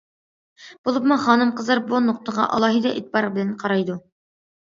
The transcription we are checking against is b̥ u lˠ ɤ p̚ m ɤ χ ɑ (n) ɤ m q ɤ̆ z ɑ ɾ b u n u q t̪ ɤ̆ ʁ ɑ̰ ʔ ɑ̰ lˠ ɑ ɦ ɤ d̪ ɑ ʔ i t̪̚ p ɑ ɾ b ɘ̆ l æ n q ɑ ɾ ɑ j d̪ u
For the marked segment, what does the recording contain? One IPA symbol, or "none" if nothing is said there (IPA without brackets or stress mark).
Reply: n